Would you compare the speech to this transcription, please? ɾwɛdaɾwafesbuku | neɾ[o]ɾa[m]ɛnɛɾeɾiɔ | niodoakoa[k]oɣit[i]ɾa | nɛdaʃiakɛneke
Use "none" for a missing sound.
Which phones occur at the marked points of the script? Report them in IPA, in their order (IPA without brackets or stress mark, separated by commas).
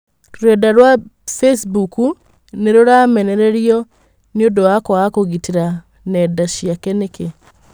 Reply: o, m, k, i